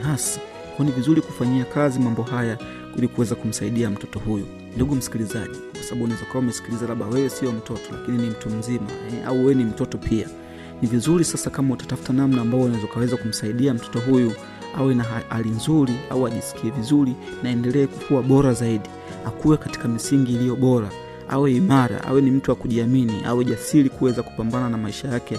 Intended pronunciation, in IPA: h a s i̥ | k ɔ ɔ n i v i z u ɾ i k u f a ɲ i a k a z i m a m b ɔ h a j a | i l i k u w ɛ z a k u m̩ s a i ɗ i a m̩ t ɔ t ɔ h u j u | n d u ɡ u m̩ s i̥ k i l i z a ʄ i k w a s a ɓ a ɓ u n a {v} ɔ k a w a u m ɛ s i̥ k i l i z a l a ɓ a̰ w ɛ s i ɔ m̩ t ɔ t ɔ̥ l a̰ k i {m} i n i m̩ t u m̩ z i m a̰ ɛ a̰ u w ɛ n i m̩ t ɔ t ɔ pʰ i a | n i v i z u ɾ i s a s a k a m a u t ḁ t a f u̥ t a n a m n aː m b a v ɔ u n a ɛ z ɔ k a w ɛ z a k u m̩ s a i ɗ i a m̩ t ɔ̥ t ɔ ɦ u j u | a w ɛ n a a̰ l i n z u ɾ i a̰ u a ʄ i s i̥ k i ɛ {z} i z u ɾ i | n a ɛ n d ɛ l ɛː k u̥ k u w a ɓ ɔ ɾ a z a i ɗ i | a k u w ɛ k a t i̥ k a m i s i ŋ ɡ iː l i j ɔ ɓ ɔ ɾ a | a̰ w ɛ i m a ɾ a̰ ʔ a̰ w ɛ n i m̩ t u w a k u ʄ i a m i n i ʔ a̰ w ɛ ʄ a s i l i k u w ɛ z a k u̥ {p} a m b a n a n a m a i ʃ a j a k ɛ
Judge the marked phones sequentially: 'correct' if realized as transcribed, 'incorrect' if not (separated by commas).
incorrect, incorrect, incorrect, correct